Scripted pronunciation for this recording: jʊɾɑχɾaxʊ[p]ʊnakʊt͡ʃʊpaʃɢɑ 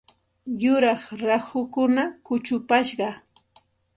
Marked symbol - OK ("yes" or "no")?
no